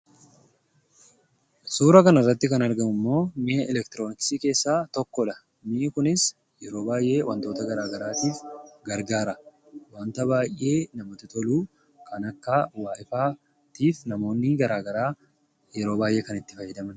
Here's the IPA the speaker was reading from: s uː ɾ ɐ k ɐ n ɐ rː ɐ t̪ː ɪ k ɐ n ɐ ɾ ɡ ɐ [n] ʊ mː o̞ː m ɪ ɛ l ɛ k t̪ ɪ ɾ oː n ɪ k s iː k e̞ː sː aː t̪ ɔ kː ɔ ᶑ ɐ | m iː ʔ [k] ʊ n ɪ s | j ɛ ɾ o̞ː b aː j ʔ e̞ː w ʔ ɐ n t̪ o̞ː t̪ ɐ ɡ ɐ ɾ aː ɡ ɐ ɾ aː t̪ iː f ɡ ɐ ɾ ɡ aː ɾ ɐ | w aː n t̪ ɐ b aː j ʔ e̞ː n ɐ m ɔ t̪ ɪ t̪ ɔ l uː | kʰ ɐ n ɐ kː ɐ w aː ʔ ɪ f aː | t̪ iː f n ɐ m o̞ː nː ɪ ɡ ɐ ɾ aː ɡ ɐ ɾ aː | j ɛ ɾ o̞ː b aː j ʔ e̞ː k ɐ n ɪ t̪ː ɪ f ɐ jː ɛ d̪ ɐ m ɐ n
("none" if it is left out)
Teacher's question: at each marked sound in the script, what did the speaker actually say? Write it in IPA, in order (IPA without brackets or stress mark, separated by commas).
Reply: m, k